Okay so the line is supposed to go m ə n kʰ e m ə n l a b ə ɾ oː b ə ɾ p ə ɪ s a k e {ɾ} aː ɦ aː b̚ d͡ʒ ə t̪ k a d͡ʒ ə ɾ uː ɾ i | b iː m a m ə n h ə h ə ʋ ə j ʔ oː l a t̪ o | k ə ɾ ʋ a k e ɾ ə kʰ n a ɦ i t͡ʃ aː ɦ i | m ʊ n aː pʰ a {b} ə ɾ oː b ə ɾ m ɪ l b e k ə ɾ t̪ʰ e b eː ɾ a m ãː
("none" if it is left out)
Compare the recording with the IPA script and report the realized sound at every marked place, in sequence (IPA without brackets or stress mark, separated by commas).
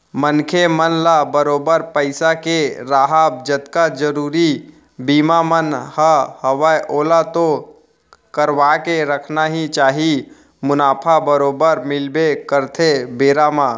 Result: ɾ, b